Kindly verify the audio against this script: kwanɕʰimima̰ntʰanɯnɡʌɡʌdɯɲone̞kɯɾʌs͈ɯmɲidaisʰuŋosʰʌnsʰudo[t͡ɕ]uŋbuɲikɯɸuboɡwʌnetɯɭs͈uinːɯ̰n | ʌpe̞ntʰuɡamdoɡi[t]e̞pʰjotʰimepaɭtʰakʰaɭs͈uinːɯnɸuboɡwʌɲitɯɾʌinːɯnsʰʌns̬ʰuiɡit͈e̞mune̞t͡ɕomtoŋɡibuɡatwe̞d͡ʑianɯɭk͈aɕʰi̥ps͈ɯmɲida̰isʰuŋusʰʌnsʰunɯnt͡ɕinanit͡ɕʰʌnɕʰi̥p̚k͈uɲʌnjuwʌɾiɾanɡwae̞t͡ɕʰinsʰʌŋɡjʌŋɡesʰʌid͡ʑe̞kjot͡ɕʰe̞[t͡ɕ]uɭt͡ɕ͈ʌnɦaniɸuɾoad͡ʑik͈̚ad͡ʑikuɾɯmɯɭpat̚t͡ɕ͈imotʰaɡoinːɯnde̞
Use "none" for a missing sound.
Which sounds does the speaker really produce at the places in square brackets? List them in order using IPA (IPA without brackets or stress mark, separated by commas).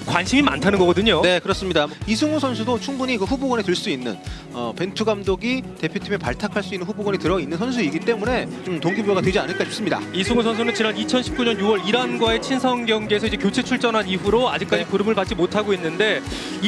t͡ɕʰ, t, t͡ɕʰ